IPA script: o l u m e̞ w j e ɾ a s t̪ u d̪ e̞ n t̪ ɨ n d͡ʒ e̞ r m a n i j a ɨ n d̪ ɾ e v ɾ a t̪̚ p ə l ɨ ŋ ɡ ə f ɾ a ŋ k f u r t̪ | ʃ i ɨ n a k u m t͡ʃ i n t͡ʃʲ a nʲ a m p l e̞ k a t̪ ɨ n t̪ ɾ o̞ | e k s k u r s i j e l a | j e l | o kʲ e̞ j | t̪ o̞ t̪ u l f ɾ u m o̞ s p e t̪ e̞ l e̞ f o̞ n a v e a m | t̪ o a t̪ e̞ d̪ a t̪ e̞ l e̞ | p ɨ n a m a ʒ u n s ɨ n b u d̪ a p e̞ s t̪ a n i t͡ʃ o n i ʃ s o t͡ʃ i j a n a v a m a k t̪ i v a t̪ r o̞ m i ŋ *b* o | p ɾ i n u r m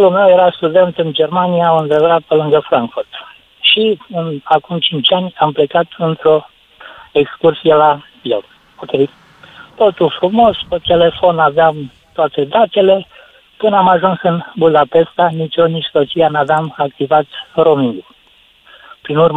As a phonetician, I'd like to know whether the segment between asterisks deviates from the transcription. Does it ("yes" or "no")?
yes